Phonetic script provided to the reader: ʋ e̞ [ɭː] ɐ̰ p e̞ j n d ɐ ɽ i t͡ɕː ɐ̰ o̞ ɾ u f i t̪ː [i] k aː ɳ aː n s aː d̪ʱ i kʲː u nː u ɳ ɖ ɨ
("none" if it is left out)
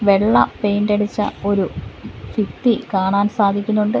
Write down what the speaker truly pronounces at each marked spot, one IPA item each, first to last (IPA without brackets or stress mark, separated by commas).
ɭː, i